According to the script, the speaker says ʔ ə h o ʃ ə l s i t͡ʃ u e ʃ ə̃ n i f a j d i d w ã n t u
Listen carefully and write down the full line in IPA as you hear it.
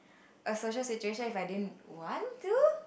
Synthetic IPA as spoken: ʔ ə s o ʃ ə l s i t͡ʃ u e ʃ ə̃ n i f a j d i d w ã n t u